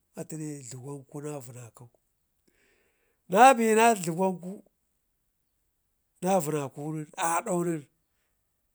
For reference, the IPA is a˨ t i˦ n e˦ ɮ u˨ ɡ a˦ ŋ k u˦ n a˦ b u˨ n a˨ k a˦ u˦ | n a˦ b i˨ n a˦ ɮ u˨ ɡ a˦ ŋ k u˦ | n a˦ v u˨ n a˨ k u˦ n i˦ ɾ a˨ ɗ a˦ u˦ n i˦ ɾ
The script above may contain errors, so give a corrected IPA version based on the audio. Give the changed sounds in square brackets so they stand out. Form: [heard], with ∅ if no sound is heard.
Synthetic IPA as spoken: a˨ t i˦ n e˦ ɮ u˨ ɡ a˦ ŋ k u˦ n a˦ [v] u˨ n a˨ k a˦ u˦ | n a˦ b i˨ n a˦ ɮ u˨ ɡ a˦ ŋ k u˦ | n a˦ v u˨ n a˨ k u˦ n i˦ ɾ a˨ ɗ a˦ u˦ n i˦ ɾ

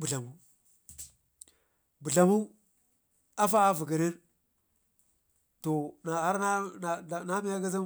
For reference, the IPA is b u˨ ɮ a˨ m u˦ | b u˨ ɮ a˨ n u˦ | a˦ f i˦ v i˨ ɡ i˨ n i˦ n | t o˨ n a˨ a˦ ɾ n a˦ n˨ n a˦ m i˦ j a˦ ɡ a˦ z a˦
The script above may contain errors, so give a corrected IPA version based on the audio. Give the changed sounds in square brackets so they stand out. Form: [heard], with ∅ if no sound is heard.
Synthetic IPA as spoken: b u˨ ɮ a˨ m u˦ | b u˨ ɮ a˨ [m] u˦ | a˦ f [a˦] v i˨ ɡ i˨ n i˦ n | t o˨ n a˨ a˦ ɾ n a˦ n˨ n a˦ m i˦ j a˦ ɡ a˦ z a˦

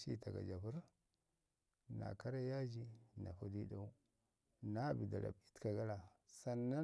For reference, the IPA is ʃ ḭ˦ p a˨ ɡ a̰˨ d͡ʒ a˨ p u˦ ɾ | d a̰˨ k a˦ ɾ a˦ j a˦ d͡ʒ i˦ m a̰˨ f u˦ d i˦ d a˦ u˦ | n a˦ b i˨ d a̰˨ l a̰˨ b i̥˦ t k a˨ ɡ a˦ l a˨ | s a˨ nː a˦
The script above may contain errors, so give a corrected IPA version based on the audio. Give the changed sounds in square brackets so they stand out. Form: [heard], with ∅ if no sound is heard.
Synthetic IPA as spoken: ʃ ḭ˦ [t] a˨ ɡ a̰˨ d͡ʒ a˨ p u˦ ɾ | [n] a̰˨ k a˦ ɾ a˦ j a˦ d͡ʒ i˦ [n] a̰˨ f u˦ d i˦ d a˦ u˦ | n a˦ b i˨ d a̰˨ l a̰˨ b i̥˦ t k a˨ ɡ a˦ l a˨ | s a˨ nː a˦

